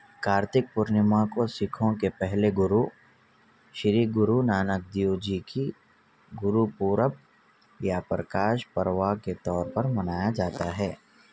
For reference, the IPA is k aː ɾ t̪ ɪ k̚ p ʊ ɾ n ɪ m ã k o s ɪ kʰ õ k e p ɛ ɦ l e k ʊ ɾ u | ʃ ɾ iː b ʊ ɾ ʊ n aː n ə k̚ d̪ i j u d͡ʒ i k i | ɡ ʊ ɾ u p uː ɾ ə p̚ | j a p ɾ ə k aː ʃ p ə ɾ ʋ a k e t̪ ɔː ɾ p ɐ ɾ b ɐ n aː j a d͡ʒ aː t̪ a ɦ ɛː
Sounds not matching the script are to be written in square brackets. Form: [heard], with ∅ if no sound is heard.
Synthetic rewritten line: k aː ɾ t̪ ɪ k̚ p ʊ ɾ n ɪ m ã k o s ɪ kʰ õ k e p ɛ ɦ l e [ɡ] ʊ ɾ u | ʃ ɾ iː [ɡ] ʊ ɾ [u] n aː n ə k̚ d̪ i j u d͡ʒ i k i | ɡ ʊ ɾ u p uː ɾ ə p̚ | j a p ɾ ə k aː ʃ p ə ɾ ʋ a k e t̪ ɔː ɾ p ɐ ɾ [m] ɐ n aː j a d͡ʒ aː t̪ a ɦ ɛː